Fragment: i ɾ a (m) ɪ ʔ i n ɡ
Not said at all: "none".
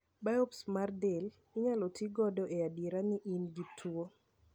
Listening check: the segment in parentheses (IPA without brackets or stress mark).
n